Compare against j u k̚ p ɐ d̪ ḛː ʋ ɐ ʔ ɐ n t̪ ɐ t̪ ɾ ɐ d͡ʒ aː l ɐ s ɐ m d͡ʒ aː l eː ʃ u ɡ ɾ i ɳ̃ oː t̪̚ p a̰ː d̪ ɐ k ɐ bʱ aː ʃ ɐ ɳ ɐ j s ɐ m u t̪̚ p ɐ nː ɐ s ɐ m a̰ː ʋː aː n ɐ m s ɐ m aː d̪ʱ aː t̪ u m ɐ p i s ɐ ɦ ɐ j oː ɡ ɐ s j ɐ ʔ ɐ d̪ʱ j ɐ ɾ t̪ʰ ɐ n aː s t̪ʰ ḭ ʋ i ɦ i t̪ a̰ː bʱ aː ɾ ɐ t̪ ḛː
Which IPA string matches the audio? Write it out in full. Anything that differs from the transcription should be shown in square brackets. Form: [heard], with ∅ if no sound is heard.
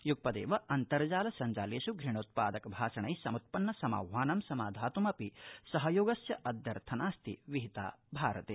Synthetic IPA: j u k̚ p ɐ d̪ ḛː ʋ ɐ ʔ ɐ n t̪ ɐ [∅] ɾ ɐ d͡ʒ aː l ɐ s ɐ [ɲ] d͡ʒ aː l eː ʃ u ɡ ɾ i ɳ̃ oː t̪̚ p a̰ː d̪ ɐ k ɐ bʱ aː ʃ ɐ ɳ ɐ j s ɐ m u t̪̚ p ɐ nː ɐ s ɐ m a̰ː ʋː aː n ɐ m s ɐ m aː d̪ʱ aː t̪ u m ɐ p i s ɐ ɦ ɐ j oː ɡ ɐ s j ɐ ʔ ɐ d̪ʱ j ɐ ɾ t̪ʰ ɐ n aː s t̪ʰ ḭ ʋ i ɦ i t̪ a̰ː bʱ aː ɾ ɐ t̪ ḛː